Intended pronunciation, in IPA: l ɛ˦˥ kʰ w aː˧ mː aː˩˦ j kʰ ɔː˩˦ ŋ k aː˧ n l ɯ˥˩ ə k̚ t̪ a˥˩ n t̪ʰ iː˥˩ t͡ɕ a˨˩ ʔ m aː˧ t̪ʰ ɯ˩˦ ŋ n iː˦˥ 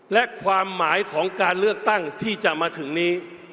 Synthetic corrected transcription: l ɛ˦˥ kʰ w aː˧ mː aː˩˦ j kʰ ɔː˩˦ ŋ k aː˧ n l ɯ˥˩ ə k̚ t̪ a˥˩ ŋ t̪ʰ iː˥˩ t͡ɕ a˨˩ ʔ m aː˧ t̪ʰ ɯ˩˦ ŋ n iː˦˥

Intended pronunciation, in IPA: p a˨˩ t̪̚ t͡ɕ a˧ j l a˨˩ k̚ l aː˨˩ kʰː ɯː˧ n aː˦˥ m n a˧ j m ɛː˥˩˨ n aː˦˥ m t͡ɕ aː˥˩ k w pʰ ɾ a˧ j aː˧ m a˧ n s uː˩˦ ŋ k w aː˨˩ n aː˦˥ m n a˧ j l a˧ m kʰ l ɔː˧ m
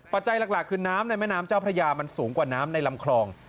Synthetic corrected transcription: p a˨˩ t̪̚ t͡ɕ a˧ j l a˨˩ k̚ l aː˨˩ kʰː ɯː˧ n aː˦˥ m n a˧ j m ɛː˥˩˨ n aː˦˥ m t͡ɕ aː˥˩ w pʰ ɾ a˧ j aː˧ m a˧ n s uː˩˦ ŋ k w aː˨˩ n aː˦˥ m n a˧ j l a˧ m kʰ l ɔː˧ ŋ

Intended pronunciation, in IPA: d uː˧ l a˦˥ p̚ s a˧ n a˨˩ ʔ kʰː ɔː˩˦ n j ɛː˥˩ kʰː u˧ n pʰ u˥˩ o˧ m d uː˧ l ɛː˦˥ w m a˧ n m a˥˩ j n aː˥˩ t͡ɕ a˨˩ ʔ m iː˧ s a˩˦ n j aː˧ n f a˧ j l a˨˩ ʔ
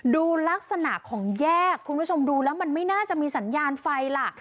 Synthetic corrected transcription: d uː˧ l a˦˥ k̚ s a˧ n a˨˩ ʔ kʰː ɔː˩˦ ŋ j ɛː˥˩ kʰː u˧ n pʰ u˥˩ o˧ m d uː˧ l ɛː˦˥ w m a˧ n m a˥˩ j n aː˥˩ t͡ɕ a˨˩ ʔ m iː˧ s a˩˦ n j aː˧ n f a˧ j l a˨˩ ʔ

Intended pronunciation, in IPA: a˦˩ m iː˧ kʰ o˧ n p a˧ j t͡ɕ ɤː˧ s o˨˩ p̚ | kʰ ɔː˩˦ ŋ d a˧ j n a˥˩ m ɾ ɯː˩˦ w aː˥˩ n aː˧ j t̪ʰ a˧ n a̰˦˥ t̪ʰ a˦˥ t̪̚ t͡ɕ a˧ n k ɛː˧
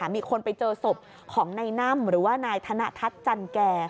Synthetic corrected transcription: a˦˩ m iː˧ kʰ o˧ n p a˧ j t͡ɕ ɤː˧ s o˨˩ p̚ | kʰ ɔː˩˦ ŋ n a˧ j n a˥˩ m ɾ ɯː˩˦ w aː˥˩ n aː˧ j t̪ʰ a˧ n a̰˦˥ t̪ʰ a˦˥ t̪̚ t͡ɕ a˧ n k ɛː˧

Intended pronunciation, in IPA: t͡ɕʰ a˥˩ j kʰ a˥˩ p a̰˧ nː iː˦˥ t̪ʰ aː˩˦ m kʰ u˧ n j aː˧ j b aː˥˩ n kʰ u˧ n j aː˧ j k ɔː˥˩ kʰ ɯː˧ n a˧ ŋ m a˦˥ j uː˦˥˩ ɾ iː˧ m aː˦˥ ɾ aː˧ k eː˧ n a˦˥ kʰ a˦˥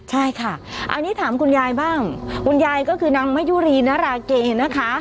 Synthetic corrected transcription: t͡ɕʰ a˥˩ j kʰ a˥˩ ʔ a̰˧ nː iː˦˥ t̪ʰ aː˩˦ m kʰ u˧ n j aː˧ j b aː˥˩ ŋ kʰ u˧ n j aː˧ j k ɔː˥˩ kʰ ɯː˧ n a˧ ŋ m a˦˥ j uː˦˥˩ ɾ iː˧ n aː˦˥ ɾ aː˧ k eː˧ n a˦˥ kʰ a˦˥

